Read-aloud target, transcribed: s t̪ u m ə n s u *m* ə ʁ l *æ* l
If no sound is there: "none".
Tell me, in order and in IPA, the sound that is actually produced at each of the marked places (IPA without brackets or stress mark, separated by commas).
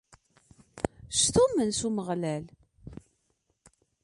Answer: m, æ